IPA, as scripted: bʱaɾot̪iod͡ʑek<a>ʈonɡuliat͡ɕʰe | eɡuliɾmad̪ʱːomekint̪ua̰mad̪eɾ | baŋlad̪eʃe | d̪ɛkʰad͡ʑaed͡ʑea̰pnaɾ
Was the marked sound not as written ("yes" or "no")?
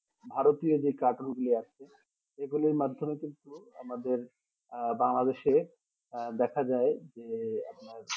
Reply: no